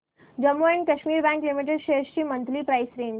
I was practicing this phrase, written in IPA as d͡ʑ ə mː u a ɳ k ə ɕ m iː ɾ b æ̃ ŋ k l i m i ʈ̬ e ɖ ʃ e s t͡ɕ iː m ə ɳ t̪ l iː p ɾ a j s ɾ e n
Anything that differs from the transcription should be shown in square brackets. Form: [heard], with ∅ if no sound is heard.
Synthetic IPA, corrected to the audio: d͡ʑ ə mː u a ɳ k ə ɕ m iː ɾ b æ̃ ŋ k l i m i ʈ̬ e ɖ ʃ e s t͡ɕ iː m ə [n] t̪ l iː p ɾ a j s ɾ e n